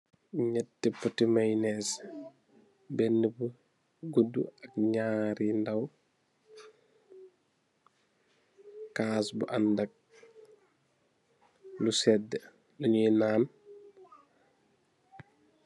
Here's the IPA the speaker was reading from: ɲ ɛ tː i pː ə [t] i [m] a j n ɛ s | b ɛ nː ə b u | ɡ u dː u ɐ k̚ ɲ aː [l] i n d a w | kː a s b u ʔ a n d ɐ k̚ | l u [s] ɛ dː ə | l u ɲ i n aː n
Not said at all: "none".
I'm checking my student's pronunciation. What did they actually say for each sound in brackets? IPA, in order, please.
t, m, ɾ, s

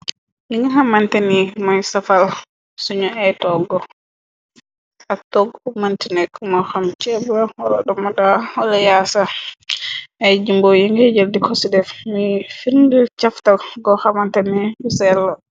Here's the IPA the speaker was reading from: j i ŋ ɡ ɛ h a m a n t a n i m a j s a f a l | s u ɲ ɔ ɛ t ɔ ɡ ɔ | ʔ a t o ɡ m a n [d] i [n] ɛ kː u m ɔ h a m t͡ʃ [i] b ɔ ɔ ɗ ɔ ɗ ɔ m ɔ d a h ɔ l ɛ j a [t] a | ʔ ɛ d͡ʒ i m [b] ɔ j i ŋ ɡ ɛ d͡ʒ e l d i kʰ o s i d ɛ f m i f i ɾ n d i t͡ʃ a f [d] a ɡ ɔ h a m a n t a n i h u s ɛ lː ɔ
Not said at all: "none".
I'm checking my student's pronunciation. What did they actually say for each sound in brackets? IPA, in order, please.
t, n, ɛ, s, b, t

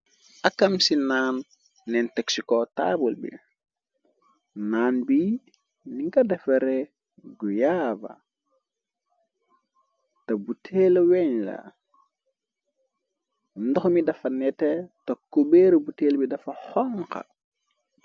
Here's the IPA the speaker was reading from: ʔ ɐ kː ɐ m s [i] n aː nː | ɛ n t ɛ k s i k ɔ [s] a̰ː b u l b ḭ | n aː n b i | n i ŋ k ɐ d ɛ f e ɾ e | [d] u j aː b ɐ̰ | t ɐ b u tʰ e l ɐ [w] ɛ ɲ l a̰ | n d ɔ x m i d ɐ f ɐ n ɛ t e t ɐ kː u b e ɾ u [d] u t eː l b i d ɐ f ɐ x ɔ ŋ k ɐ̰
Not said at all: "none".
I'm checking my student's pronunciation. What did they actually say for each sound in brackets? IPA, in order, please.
i, t, ɡ, w, b

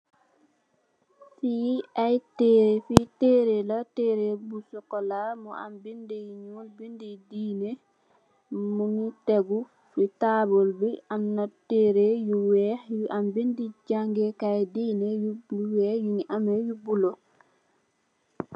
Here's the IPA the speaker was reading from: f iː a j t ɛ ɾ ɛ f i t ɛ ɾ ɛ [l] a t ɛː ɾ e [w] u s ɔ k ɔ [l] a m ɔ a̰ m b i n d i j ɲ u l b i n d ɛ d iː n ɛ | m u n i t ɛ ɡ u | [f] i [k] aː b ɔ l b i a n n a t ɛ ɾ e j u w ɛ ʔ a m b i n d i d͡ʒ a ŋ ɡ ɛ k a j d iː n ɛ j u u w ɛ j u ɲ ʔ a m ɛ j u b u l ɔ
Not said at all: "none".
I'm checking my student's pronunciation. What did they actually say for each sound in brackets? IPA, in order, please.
l, b, l, f, t

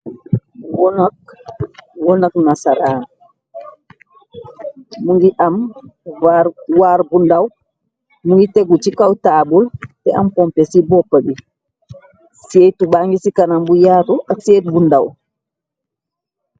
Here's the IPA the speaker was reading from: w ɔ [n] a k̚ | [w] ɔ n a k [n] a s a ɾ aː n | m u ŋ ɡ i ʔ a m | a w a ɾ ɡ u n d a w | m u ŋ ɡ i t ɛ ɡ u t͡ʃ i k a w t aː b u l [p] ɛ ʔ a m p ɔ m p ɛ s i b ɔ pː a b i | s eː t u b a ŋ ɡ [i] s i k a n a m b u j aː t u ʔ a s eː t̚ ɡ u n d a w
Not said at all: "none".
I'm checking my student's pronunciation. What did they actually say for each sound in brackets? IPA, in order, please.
n, w, n, t, i

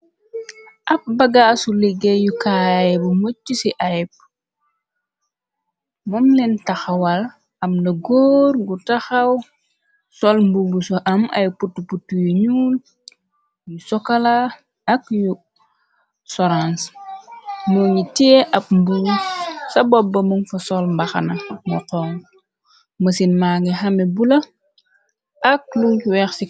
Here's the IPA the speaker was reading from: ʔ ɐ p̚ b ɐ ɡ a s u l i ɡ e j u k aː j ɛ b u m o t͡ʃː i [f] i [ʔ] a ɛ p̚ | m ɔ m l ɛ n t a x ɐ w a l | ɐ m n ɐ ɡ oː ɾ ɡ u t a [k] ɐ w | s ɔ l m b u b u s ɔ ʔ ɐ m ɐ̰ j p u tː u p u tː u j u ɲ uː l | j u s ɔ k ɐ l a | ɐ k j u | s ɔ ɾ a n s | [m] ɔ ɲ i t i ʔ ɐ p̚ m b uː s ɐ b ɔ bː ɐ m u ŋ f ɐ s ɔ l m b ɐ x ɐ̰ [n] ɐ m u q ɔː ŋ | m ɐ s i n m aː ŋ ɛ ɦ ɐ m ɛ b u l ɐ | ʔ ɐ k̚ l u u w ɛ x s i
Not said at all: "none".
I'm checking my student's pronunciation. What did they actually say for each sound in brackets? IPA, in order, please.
s, ʔ, x, m, n

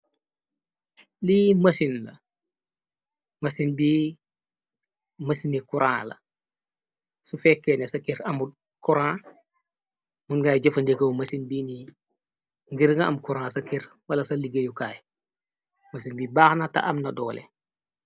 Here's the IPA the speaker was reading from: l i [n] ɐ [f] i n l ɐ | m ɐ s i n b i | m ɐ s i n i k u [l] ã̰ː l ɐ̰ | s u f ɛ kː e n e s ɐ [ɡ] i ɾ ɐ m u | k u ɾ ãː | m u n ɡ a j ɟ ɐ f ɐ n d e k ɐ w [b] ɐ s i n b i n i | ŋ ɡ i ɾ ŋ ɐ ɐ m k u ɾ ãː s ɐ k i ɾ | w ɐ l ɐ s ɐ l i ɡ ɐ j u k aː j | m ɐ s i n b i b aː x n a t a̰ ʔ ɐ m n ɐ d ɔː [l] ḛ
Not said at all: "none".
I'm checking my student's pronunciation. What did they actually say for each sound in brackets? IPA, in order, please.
m, s, ɾ, k, m, l

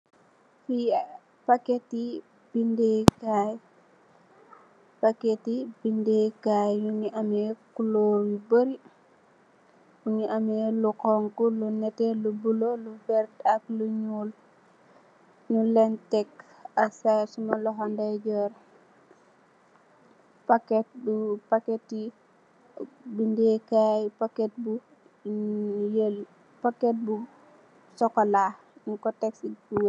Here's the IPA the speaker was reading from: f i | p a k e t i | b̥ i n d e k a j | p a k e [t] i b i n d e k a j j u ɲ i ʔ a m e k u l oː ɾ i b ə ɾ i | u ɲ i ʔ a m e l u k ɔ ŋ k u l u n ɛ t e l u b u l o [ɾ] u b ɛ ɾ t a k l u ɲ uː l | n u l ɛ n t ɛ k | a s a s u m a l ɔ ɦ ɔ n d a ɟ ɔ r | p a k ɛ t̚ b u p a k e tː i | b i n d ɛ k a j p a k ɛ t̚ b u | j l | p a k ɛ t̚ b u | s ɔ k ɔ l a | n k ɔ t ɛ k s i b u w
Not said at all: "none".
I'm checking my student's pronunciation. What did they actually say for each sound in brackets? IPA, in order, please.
t, l

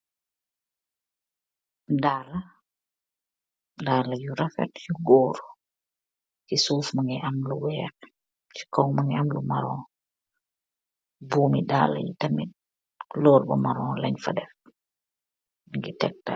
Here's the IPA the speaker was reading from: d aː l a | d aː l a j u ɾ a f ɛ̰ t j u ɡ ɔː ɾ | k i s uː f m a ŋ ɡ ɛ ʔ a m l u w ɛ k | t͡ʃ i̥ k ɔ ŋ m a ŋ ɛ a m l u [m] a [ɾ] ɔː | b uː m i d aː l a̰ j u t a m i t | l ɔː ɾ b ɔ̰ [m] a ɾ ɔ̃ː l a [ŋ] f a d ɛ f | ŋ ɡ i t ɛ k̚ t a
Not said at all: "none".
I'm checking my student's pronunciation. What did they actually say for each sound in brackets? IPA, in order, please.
m, ɾ, m, ɲ

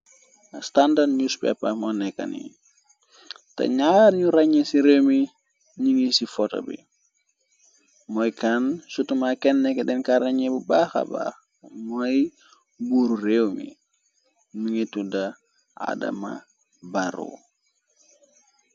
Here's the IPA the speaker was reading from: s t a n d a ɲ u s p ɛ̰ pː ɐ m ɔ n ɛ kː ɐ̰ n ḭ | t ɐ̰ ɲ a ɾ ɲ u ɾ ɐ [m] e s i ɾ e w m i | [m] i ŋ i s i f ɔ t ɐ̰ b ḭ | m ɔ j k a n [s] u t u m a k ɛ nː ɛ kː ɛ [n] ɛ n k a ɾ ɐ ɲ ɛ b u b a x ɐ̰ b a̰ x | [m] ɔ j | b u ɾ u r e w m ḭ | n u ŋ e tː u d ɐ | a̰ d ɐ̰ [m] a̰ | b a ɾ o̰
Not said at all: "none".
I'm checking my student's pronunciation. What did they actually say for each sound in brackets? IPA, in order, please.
ɲ, ɲ, s, d, m, m

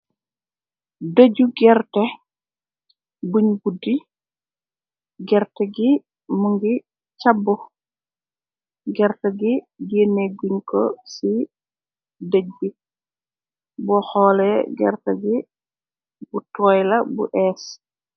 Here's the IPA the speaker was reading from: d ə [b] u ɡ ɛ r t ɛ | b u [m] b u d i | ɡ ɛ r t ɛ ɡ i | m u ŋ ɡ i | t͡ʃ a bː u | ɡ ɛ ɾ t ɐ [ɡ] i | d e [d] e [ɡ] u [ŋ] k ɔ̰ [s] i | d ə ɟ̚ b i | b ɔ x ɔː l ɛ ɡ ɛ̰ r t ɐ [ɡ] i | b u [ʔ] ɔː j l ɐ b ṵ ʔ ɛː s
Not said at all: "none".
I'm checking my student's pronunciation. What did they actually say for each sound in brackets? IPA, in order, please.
ɟ, ɲ, ɡ, n, ɡ, ɲ, s, ɡ, t

